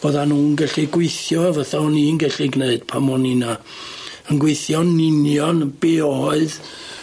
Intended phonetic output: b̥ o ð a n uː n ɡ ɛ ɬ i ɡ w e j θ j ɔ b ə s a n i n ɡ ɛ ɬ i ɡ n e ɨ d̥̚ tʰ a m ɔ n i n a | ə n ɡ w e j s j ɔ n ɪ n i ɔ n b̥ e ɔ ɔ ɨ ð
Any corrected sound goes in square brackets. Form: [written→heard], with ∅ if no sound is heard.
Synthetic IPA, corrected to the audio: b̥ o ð a n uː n ɡ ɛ ɬ i ɡ w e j θ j ɔ [b→v] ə [s→θ] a n i n ɡ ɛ ɬ i ɡ n e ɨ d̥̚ [tʰ→pʰ] a m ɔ n i n a | ə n ɡ w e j [s→θ] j ɔ n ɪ n [i→j] ɔ n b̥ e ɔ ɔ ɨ ð